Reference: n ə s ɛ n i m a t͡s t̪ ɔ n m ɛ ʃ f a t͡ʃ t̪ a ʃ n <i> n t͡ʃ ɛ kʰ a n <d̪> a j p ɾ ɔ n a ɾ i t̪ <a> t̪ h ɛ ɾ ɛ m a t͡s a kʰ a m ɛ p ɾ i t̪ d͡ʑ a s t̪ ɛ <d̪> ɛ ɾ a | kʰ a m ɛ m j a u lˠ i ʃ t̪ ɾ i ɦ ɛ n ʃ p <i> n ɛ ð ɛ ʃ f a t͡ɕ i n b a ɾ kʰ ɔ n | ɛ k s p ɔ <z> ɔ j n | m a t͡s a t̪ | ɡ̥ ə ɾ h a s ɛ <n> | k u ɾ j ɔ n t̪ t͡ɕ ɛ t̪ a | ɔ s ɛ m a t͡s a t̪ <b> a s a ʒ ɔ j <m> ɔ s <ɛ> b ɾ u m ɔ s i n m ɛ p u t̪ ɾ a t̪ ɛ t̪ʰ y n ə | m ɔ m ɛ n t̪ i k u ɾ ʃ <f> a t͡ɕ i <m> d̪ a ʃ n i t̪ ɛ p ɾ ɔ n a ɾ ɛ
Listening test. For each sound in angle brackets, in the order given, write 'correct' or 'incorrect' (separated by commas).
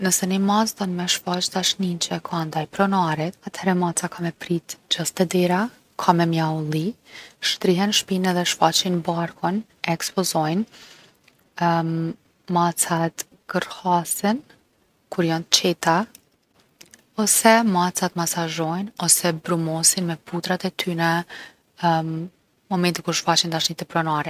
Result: correct, correct, correct, correct, correct, correct, correct, incorrect, incorrect, correct, correct, incorrect